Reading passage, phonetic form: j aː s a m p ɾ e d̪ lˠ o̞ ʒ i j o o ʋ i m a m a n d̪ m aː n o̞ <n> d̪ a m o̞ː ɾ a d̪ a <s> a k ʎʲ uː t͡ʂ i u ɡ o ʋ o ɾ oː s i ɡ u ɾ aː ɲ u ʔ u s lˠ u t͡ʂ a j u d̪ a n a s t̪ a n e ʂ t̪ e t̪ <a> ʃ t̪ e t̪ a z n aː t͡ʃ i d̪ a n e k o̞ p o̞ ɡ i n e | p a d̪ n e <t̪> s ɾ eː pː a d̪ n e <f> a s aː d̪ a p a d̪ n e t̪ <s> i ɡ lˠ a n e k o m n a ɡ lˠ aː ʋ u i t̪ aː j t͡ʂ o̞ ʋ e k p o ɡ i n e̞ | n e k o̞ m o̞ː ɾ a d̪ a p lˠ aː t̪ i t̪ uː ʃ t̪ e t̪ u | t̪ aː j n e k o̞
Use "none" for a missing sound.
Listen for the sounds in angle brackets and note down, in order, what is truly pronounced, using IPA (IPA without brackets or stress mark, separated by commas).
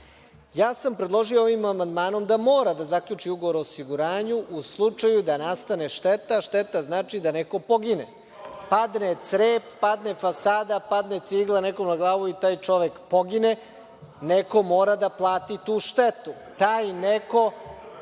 m, z, a, t̪, f, s